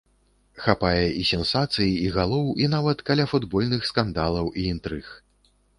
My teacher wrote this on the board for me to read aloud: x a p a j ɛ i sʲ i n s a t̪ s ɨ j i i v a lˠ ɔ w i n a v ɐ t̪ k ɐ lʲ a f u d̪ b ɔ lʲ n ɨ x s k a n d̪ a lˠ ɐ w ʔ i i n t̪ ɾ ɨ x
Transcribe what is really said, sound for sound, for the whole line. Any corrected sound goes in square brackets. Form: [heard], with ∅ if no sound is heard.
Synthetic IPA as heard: x a p a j ɛ i sʲ [ɛ] n s a t̪ s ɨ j i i [ɣ] a lˠ ɔ w i n a v ɐ t̪ k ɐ lʲ a f u d̪ b ɔ lʲ n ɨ x s k a n d̪ a lˠ ɐ w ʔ i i n t̪ ɾ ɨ x